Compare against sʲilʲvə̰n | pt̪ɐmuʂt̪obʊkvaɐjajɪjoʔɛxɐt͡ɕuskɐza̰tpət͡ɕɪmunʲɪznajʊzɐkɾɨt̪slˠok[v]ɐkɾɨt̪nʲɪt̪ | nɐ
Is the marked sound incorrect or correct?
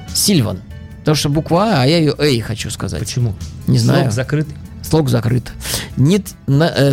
incorrect